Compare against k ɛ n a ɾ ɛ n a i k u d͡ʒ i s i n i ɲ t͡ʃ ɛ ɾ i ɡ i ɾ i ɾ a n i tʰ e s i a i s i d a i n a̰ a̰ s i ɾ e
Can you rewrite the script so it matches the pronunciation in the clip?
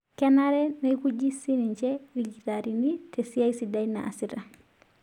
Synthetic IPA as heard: k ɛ n a ɾ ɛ n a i k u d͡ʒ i s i n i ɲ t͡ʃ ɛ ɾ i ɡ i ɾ a ɾ i n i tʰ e s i a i s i d a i n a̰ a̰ s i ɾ a